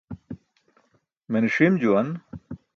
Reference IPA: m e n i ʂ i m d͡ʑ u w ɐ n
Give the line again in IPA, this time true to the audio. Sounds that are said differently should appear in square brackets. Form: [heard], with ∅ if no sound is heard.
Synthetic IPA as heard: m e n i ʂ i m d͡ʑ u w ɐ n